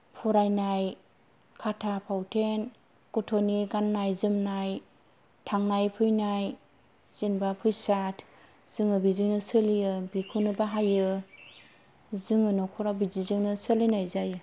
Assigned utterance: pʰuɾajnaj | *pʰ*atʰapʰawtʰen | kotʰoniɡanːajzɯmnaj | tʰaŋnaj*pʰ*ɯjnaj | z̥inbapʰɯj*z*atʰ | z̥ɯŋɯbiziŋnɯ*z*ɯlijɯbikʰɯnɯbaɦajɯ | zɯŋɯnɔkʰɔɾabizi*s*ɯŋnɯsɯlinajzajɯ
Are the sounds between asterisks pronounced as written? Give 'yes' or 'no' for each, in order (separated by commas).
no, yes, no, no, no